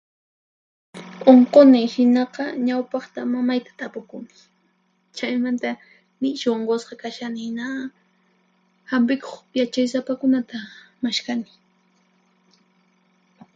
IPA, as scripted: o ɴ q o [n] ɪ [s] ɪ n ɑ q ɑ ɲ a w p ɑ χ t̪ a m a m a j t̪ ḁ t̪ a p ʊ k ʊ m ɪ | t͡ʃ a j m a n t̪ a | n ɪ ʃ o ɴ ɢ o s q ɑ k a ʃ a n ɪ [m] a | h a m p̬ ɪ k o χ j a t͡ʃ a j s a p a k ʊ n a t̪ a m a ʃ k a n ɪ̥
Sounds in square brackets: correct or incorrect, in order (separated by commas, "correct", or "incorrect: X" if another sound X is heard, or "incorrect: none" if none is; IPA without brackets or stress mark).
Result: correct, incorrect: h, incorrect: n